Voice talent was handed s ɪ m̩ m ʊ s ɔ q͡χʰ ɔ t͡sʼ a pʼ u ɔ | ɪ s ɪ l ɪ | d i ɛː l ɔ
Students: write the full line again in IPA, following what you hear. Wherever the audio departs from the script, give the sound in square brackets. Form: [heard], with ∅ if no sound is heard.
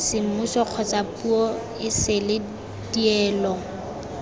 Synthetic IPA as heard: s ɪ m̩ m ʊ s ɔ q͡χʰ ɔ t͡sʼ a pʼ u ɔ | ɪ s ɪ l ɪ | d i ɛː l ɔ